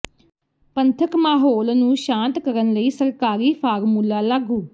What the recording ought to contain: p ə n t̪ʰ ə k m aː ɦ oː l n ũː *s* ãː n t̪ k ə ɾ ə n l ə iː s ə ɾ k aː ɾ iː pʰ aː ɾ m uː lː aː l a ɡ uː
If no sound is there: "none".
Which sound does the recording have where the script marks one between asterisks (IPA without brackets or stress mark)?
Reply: ʃ